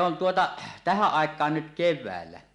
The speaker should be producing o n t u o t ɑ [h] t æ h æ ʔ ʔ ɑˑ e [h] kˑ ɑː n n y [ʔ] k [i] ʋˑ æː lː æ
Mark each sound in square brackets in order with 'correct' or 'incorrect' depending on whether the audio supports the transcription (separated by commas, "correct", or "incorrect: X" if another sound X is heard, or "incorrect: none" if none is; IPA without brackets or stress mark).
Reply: incorrect: none, incorrect: none, incorrect: t, incorrect: e